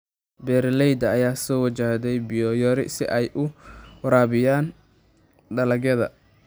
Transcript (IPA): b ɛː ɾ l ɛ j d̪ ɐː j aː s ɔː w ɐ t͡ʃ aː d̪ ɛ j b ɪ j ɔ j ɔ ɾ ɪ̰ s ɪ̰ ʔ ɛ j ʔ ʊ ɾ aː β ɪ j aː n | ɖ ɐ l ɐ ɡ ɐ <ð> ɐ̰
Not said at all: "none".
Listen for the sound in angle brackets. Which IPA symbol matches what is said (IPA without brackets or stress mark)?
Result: ð